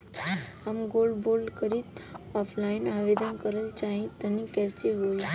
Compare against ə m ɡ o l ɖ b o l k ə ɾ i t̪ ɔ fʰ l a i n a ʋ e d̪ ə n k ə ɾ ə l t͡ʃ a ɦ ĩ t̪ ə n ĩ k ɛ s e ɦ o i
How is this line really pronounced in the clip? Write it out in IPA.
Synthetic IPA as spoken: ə m ɡ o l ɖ b o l k ə ɾ i t̪ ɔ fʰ l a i n a ʋ e d̪ ə n k ə ɾ ə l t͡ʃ a ɦ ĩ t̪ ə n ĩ k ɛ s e ɦ o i